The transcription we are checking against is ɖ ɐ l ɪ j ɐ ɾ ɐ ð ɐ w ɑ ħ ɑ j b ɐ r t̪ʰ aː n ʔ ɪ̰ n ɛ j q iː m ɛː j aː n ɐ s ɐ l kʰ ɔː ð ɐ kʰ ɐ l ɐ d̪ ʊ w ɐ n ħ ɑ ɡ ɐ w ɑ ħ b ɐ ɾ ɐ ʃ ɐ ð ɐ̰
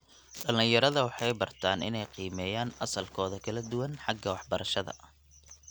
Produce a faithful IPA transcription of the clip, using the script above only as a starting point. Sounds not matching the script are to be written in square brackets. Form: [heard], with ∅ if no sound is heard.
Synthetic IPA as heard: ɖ ɐ l ɪ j ɐ ɾ ɐ ð ɐ w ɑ ħ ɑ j b ɐ r t̪ʰ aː n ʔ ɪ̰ n ɛ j q iː m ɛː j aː n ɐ s ɐ l kʰ ɔː ð ɐ kʰ ɐ l ɐ d̪ ʊ w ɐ n ħ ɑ ɡ ɐ w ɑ ħ b ɐ ɾ ɐ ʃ ɐ ð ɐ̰